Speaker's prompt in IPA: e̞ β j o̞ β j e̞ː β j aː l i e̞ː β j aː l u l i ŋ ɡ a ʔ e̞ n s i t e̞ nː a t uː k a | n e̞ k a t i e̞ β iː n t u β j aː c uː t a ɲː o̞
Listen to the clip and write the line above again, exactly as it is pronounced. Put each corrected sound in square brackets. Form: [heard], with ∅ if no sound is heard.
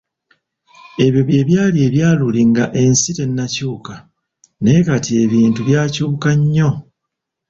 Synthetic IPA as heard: e̞ β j o̞ β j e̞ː β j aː l i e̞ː β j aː l u l i ŋ ɡ a ʔ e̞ n s i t e̞ nː a [c] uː k a | n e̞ k a t i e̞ β iː n t u β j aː c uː [k] a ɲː o̞